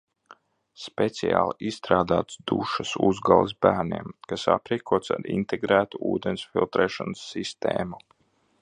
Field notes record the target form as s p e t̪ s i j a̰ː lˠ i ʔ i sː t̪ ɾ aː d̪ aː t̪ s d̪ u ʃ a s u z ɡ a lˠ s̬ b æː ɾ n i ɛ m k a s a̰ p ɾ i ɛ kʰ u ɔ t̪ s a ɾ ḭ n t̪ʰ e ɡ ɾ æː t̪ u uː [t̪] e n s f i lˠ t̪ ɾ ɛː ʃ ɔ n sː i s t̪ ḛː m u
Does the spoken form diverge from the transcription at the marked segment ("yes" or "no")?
yes